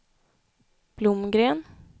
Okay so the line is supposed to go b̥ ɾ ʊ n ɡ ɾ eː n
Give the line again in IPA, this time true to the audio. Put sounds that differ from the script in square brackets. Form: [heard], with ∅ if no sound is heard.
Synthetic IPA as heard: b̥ [l] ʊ [m] ɡ ɾ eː n